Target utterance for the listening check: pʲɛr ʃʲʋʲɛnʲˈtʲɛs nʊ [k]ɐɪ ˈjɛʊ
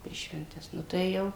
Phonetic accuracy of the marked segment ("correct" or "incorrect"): incorrect